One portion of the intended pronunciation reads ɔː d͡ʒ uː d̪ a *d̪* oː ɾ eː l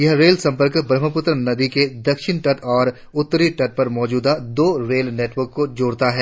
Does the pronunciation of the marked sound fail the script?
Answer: no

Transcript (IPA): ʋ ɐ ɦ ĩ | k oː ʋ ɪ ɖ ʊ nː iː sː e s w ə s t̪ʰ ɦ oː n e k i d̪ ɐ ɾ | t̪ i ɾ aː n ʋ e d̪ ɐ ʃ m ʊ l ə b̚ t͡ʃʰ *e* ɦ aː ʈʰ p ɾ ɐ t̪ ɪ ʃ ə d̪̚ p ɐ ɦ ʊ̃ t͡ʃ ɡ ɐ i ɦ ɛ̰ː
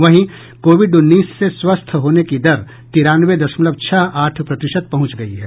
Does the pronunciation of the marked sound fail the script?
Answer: yes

